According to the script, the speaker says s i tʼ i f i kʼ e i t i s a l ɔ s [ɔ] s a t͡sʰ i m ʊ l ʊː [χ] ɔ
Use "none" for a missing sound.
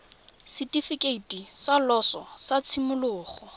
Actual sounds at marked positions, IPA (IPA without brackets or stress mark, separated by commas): ɔ, χ